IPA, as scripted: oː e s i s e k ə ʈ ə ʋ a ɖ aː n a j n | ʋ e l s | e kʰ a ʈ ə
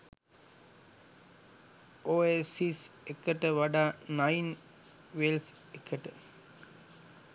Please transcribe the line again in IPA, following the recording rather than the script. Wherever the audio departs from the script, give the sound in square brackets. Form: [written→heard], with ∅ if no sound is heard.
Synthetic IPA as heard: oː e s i s e k ə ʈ ə ʋ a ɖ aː n a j n | ʋ e l s | e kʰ [a→ə] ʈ ə